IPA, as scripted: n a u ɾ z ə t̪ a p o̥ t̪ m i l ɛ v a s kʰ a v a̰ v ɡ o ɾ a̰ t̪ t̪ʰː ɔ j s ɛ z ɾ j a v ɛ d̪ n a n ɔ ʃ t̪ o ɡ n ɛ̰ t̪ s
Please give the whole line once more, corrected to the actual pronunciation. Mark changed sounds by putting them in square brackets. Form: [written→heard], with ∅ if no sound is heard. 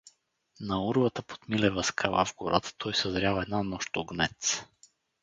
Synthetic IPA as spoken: n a u ɾ [z→v] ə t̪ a p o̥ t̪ m i l ɛ v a s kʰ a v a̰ v ɡ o ɾ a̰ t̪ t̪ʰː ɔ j s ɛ z ɾ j a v ɛ d̪ n a n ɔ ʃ t̪ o ɡ n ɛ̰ t̪ s